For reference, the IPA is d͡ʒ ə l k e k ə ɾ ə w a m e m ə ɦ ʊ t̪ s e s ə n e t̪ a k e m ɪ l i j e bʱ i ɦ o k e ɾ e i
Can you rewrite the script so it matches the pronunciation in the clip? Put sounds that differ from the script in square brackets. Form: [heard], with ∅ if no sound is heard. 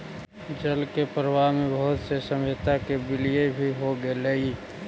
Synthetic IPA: d͡ʒ ə l k e [p] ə ɾ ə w a m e [b] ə ɦ ʊ t̪ s e s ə [m] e t̪ a k e [b] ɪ l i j e bʱ i ɦ o [ɡ] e [l] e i